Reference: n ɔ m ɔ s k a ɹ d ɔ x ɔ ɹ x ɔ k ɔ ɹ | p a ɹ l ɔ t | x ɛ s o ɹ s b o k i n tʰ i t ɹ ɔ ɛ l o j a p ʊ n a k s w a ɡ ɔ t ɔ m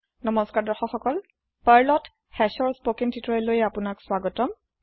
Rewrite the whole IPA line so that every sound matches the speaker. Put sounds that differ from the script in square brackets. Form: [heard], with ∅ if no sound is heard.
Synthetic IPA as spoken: n ɔ m ɔ s k a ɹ d ɔ x ɔ [∅] x ɔ k ɔ [l] | p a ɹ l ɔ t | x ɛ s [ɔ] ɹ s [p] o k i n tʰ i t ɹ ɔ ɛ l o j a p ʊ n a k s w a ɡ ɔ t ɔ m

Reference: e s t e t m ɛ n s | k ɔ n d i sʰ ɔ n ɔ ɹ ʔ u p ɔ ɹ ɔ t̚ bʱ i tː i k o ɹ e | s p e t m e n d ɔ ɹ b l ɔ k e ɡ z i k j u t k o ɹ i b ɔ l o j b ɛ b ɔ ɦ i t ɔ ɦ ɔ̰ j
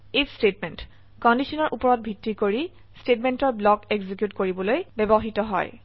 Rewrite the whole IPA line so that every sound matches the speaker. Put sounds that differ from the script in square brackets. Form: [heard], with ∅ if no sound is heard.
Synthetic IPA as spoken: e s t e t m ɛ n [t] | k ɔ n d i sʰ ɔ n ɔ ɹ ʔ u p ɔ ɹ ɔ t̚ bʱ i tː i k o ɹ [i] | s [t] e t m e n [t] ɔ ɹ b l ɔ k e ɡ z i k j u t k o ɹ i b ɔ l o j b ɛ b ɔ ɦ i t ɔ ɦ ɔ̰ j

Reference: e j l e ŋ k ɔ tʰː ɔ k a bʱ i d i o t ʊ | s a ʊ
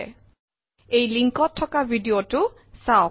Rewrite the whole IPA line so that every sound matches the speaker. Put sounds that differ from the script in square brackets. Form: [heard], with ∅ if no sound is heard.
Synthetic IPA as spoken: e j l [i] ŋ k ɔ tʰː ɔ k a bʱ i d i o t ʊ | s a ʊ

